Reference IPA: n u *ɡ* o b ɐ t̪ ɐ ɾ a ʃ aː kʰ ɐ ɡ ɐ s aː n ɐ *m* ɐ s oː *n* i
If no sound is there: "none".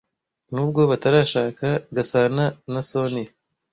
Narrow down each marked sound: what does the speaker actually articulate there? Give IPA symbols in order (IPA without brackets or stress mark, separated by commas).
ɡ, n, n